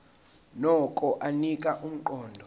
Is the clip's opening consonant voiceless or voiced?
voiced